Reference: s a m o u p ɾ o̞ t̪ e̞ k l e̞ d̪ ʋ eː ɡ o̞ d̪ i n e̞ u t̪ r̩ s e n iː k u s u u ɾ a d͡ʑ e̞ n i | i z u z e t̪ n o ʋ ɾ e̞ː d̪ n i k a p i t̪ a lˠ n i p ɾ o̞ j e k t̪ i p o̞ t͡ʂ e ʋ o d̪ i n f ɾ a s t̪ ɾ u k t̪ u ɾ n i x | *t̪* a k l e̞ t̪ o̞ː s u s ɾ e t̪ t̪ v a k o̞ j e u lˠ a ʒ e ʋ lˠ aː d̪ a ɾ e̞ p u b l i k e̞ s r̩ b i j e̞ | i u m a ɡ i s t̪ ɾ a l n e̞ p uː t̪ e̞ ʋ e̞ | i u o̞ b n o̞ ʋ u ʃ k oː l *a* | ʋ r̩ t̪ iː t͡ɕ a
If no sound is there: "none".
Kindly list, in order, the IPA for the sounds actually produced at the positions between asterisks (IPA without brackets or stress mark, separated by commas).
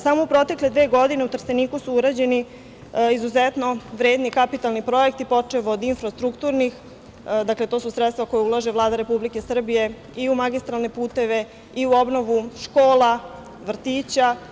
d̪, a